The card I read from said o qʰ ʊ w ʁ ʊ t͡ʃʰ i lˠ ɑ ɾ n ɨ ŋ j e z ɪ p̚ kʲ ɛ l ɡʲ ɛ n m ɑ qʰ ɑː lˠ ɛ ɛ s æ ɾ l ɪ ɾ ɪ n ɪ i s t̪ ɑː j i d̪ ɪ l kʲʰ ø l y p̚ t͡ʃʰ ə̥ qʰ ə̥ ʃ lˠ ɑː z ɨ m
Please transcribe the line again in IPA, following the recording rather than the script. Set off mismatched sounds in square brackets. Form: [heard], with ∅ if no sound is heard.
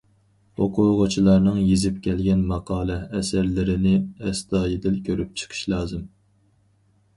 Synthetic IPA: o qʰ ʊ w ʁ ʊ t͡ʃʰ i lˠ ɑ ɾ n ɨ ŋ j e z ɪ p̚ kʲ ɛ l ɡʲ ɛ n m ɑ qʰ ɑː lˠ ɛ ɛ s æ ɾ l ɪ ɾ ɪ n ɪ [ɛ] s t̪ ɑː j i d̪ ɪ l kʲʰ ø [ɾ] y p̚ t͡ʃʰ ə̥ qʰ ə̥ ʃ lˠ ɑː z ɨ m

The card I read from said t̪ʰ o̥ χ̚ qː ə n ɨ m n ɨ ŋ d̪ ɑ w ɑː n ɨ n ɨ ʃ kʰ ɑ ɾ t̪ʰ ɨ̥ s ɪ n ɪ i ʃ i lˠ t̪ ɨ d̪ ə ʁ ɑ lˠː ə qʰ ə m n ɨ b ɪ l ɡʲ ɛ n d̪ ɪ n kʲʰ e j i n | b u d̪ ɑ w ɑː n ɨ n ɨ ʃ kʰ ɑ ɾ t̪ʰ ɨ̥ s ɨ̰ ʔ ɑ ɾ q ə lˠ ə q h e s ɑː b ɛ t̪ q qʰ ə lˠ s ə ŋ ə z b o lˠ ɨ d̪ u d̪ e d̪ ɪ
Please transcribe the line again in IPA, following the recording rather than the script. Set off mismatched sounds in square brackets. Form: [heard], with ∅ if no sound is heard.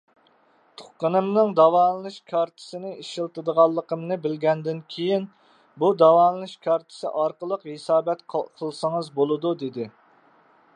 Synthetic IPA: t̪ʰ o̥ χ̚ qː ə n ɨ m n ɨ ŋ d̪ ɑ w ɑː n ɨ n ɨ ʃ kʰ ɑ ɾ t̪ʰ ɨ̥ s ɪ n ɪ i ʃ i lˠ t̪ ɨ d̪ ə ʁ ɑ lˠː ə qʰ ə m n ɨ b ɪ l ɡʲ ɛ n d̪ ɪ n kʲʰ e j i n | b u d̪ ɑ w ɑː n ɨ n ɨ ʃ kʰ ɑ ɾ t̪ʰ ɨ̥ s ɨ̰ ʔ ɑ ɾ q ə lˠ ə q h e s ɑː b ɛ t̪ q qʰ ə lˠ s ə ŋ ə z b o lˠ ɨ d̪ u d̪ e d̪ ɪ

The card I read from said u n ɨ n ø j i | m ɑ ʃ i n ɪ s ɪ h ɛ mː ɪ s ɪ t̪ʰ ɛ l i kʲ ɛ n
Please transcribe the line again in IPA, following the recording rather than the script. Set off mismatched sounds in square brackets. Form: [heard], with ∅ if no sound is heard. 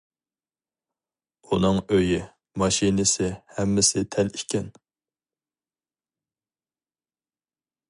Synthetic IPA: u n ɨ [ŋ] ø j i | m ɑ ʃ i n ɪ s ɪ h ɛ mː ɪ s ɪ t̪ʰ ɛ l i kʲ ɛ n

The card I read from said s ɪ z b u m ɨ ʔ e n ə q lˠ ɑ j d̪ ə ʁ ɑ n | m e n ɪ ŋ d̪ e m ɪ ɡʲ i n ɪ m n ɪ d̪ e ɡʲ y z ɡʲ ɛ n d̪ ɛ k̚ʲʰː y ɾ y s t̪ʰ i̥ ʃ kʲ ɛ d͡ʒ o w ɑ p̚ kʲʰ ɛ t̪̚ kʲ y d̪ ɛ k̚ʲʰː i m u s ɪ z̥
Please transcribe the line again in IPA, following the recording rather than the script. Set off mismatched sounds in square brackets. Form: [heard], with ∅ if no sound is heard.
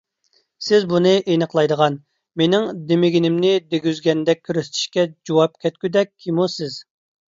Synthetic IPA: s ɪ z b u [n] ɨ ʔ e n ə q lˠ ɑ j d̪ ə ʁ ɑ n | m e n ɪ ŋ d̪ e m ɪ ɡʲ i n ɪ m n ɪ d̪ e ɡʲ y z ɡʲ ɛ n d̪ ɛ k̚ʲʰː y ɾ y s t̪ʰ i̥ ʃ kʲ ɛ d͡ʒ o w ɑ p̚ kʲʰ ɛ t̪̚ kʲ y d̪ ɛ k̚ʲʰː i m u s ɪ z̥

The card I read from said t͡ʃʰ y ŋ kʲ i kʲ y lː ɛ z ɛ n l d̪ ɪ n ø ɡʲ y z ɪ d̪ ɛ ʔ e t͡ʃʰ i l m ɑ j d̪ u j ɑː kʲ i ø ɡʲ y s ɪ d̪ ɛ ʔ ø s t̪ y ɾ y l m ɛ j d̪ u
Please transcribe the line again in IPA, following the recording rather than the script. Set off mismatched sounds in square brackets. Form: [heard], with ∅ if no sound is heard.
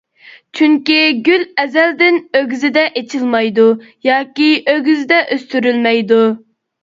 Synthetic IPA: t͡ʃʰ y ŋ kʲ i [ɡʲ] y [l] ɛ z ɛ [∅] l d̪ ɪ n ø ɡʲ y z ɪ d̪ ɛ ʔ e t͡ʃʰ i l m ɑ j d̪ u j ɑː kʲ i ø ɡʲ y [z] ɪ d̪ ɛ ʔ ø s t̪ y ɾ y l m ɛ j d̪ u

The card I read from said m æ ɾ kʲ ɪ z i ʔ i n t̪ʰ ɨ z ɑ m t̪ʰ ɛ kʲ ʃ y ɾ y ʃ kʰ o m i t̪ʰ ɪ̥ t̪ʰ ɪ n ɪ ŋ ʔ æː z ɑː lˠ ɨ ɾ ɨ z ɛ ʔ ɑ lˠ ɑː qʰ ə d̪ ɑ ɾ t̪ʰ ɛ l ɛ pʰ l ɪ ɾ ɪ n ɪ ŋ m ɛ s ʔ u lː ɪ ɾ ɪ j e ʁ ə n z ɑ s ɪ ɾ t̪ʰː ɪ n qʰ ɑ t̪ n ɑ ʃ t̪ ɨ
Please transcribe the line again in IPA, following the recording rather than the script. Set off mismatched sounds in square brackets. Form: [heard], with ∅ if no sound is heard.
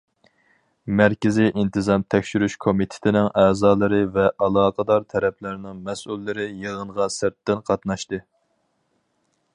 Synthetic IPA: m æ ɾ kʲ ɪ z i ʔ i n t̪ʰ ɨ z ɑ m t̪ʰ ɛ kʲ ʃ y ɾ y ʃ kʰ o m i t̪ʰ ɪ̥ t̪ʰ ɪ n ɪ ŋ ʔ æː z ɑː lˠ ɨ ɾ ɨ [v] ɛ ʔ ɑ lˠ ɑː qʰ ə d̪ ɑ ɾ t̪ʰ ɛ [ɾ] ɛ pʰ l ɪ ɾ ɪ n ɪ ŋ m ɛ s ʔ u lː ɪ ɾ ɪ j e ʁ ə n [ʁ] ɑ s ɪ ɾ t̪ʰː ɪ n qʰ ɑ t̪ n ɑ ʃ t̪ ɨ

